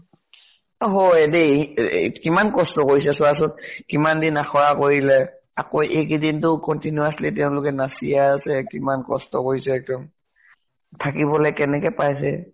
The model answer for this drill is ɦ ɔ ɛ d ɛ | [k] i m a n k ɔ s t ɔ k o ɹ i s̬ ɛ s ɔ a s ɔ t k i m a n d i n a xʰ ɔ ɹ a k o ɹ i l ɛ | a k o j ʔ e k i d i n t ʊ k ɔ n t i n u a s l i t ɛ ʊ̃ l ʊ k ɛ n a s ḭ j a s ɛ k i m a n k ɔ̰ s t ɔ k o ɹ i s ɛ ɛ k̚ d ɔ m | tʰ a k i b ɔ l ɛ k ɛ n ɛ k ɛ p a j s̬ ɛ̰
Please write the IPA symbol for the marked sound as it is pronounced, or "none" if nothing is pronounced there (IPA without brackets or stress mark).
k